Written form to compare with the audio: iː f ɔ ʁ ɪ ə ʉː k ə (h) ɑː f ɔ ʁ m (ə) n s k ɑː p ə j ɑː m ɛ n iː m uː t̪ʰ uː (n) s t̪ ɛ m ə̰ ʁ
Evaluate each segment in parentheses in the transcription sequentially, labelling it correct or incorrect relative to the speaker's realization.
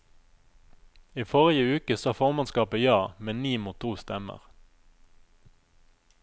incorrect: s, incorrect: ɑ, incorrect: none

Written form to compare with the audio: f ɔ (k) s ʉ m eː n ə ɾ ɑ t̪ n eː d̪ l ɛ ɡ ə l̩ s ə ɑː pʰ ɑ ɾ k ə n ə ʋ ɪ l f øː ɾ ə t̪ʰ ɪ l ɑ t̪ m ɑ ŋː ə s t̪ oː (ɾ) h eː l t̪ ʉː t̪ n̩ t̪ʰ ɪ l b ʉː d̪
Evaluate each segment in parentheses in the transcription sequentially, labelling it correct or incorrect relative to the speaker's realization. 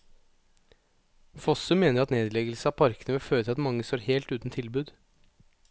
incorrect: none, correct

